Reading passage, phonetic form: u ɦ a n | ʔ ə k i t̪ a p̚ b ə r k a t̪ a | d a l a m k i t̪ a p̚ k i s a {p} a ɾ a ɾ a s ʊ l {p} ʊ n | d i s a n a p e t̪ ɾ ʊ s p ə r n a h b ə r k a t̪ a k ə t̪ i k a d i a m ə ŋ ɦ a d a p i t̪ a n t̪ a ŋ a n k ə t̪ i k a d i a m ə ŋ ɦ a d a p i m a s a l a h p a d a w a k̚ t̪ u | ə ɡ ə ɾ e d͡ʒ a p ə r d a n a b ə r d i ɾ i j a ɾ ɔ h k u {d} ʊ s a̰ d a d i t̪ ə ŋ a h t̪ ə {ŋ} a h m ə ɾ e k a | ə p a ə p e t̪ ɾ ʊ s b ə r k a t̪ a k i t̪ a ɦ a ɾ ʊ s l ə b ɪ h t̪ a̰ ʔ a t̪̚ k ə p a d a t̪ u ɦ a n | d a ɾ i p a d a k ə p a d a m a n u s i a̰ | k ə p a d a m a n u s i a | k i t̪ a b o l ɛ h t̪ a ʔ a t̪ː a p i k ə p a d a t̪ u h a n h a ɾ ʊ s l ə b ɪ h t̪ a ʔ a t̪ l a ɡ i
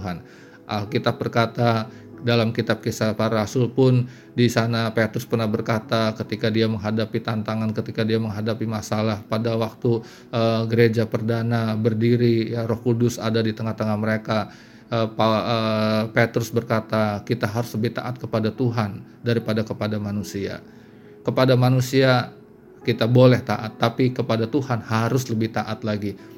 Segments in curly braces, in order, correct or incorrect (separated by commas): correct, correct, correct, correct